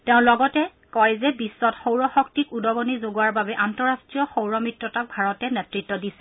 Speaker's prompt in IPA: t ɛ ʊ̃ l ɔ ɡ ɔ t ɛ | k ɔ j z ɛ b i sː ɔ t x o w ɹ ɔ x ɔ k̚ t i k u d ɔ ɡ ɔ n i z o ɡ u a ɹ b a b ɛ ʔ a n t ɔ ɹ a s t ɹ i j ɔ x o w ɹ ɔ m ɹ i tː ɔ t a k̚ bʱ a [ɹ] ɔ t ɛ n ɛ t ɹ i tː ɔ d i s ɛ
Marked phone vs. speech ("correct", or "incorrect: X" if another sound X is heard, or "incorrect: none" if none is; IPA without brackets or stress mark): correct